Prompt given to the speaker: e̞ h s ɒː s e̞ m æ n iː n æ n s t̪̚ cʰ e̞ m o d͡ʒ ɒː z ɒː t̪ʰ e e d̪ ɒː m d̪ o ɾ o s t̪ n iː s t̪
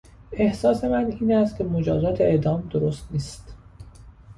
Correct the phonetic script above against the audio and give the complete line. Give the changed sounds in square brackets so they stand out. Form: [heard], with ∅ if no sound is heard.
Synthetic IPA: e̞ h s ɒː s e̞ m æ n iː n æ [∅] s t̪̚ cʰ e̞ m o d͡ʒ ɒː z ɒː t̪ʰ e e d̪ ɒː m d̪ o ɾ o s t̪ n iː s t̪